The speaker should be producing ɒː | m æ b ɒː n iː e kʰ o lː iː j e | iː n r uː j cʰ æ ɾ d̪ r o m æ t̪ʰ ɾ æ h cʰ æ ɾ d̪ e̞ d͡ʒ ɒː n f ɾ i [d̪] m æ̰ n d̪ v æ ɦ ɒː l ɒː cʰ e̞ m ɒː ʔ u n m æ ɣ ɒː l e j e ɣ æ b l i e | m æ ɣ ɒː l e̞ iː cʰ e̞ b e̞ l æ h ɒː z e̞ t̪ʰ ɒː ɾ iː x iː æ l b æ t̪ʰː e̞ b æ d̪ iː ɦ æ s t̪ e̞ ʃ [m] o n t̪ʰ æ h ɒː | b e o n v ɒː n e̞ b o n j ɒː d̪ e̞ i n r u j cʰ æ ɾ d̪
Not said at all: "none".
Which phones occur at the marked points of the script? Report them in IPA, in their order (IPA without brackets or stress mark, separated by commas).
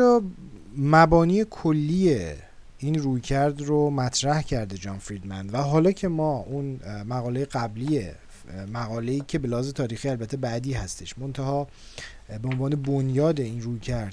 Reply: d̪, m